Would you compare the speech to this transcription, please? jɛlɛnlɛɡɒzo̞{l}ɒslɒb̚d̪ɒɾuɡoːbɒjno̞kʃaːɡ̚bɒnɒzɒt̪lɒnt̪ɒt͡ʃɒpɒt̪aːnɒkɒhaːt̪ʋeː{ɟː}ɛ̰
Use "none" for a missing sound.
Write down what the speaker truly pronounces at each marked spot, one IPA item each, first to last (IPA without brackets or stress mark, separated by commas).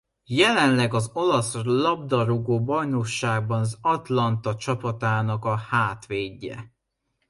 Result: l, ɟː